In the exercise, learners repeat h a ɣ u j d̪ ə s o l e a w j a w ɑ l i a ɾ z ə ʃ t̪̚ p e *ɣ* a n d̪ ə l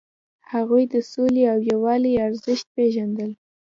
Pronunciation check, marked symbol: incorrect: ʒ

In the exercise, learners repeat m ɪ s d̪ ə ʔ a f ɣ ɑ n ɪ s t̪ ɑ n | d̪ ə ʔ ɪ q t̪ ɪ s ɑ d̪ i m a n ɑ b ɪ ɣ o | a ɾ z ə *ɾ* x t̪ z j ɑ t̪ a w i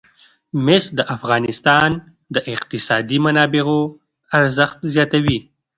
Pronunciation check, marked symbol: incorrect: none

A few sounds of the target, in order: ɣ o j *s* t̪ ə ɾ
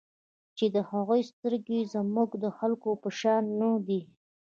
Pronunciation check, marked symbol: correct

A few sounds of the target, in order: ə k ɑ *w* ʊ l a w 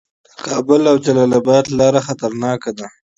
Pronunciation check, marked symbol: incorrect: b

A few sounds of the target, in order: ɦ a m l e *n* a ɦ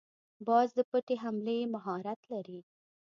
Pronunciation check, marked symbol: incorrect: m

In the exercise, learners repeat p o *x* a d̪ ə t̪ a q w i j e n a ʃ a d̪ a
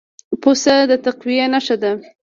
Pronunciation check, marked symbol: incorrect: s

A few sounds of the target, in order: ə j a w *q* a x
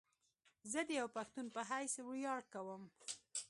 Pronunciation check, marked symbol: incorrect: p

